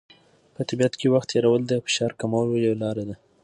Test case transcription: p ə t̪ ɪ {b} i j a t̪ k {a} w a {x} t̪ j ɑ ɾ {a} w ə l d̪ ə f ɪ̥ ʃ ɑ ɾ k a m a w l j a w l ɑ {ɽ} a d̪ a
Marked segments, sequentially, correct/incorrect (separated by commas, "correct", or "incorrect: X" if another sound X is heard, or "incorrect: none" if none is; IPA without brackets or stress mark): correct, incorrect: e, correct, correct, incorrect: ɾ